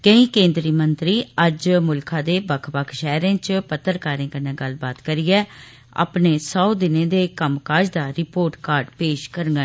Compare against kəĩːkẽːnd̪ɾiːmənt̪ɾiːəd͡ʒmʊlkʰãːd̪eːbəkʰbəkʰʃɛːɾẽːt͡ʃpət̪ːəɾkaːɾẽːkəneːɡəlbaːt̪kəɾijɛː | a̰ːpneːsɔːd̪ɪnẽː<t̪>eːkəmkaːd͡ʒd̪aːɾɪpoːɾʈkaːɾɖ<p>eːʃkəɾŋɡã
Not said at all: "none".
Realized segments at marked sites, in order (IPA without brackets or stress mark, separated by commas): d̪, p